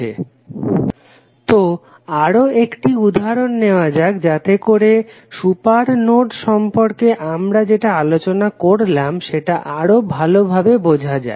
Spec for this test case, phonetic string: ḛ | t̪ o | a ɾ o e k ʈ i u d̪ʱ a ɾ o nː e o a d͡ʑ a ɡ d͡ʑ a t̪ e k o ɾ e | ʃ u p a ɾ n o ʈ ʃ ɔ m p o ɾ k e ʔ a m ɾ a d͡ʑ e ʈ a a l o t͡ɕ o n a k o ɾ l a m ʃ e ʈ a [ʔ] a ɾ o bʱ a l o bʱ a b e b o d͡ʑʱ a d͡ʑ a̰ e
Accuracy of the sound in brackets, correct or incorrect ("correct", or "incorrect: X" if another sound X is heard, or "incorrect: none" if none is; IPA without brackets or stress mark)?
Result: correct